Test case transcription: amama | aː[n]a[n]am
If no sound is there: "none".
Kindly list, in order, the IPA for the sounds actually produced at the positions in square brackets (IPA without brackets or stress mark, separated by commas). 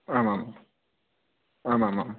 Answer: m, m